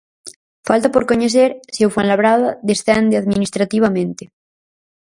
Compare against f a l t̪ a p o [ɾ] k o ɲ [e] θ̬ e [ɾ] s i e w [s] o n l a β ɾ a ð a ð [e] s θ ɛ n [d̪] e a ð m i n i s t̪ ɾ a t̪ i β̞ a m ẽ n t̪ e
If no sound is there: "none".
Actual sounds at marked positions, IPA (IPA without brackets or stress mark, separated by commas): ɾ, e, ɾ, f, e, d̪